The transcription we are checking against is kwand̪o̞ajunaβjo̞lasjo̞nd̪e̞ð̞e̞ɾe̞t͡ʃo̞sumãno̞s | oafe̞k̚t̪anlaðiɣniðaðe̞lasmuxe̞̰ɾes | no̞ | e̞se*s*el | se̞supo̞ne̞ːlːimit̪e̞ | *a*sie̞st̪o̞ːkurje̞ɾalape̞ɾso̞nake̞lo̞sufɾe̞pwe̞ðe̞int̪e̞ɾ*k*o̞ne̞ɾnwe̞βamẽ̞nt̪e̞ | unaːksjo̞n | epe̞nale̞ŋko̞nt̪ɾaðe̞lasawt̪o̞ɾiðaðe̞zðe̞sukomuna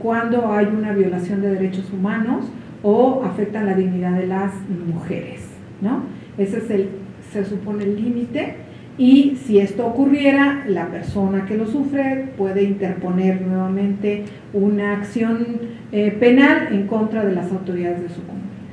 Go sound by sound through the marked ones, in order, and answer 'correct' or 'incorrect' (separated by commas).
correct, incorrect, incorrect